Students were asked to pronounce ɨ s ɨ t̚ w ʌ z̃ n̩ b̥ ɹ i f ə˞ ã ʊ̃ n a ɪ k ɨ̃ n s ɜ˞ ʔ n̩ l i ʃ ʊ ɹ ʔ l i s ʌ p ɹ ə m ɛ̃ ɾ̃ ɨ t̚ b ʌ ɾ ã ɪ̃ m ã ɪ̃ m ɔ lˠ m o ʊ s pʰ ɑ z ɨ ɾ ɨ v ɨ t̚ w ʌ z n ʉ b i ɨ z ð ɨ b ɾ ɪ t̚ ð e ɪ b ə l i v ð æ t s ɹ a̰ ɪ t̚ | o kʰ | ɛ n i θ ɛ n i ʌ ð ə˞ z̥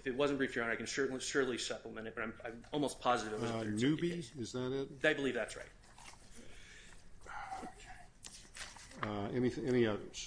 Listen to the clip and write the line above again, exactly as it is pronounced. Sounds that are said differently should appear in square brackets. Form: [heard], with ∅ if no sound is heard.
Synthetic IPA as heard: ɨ [f] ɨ t̚ w ʌ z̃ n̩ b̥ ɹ i f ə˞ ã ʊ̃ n a ɪ k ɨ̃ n s ɜ˞ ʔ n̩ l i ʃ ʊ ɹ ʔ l i s ʌ p [l] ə m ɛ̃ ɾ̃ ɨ t̚ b ʌ ɾ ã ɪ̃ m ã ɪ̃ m ɔ lˠ m o ʊ s pʰ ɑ z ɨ ɾ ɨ v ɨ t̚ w ʌ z n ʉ b i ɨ z ð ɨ [∅] ɾ ɪ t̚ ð e ɪ b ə l i v ð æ t s ɹ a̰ ɪ t̚ | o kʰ | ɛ n i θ ɛ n i ʌ ð ə˞ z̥